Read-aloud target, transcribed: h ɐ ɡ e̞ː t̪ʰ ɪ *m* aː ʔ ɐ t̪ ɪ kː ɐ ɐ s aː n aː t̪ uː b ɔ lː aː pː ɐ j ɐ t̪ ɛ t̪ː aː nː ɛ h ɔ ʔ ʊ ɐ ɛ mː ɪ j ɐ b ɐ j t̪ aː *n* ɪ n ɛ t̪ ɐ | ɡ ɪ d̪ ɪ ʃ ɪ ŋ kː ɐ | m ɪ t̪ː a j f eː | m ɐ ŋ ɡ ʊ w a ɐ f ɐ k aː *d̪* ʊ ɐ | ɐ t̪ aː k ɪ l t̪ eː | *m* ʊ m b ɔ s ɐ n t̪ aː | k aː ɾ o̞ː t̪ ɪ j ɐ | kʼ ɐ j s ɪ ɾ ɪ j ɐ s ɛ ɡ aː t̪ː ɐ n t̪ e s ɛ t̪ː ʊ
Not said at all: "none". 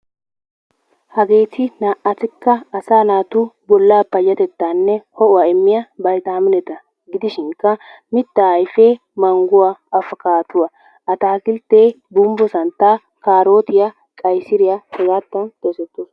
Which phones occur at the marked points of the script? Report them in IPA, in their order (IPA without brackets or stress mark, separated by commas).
n, m, t̪, b